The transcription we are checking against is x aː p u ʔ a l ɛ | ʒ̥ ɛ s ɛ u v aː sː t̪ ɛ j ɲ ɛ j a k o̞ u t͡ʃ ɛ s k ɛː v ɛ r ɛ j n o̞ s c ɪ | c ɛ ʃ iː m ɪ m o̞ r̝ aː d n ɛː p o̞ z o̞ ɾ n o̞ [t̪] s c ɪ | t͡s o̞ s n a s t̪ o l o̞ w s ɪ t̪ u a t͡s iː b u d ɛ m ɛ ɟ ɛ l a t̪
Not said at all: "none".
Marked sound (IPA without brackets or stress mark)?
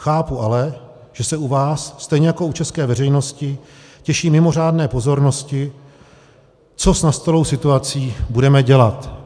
none